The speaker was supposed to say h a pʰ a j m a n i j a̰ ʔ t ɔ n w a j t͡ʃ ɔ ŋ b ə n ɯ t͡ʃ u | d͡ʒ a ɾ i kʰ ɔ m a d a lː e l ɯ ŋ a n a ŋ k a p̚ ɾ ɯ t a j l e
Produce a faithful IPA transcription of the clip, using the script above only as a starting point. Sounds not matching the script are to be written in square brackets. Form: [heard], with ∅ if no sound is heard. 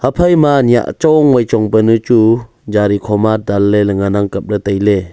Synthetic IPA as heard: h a pʰ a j m a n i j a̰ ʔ [t͡ʃ] ɔ [ŋ] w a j t͡ʃ ɔ ŋ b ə n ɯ t͡ʃ u | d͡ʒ a ɾ i kʰ ɔ m a d a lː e l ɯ ŋ a n a ŋ k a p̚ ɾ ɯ t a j l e